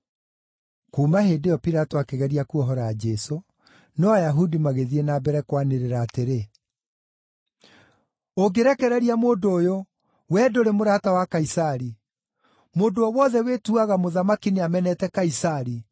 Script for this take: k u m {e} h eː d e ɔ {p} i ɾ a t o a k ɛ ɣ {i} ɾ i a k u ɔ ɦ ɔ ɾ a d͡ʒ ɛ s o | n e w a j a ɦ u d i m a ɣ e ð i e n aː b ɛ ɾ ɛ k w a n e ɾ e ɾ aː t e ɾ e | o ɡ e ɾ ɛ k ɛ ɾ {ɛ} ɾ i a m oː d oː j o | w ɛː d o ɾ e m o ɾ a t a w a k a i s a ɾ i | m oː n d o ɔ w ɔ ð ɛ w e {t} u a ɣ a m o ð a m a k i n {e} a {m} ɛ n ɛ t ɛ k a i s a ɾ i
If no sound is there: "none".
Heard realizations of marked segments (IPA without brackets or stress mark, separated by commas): a, p, ɛ, ɛ, t, e, m